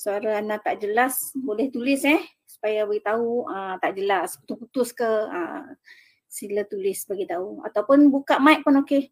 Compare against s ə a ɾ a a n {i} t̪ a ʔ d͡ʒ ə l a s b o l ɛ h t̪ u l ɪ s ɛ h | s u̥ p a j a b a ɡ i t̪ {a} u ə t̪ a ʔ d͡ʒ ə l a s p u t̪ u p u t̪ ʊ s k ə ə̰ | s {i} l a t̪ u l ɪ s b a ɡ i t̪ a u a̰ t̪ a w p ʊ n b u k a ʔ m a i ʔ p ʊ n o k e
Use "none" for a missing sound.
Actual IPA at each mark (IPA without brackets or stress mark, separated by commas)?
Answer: a, a, i